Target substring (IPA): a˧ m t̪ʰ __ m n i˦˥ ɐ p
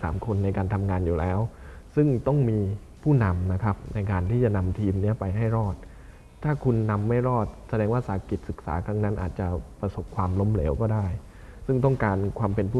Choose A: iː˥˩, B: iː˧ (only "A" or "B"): B